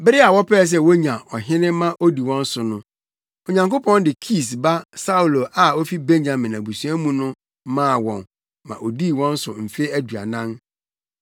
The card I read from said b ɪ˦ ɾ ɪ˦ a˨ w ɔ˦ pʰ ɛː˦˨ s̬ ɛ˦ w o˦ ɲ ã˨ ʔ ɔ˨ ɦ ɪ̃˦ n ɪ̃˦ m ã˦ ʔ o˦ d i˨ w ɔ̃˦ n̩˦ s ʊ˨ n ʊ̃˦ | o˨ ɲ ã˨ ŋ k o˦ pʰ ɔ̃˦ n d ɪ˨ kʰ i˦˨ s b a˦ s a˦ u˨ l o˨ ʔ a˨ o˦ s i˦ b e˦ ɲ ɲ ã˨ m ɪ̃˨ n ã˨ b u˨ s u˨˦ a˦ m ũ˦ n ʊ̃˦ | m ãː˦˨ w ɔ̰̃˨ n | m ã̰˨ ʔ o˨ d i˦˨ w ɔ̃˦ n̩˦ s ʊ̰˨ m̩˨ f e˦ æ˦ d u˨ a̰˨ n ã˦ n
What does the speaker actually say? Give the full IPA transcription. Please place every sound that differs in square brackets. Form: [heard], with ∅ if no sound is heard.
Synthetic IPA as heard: b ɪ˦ ɾ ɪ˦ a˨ w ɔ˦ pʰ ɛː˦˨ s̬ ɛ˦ w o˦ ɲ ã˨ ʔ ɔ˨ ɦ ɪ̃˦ n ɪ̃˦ m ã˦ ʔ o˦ d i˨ w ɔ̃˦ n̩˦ s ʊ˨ n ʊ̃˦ | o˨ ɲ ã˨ ŋ k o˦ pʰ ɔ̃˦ n d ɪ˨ kʰ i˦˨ s b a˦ s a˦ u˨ l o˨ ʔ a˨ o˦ [f] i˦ b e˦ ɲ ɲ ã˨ m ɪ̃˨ n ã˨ b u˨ s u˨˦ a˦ m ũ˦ n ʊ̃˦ | m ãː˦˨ w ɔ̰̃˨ n | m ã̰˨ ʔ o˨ d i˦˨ w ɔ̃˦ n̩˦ s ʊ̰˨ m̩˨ f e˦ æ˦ d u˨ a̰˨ n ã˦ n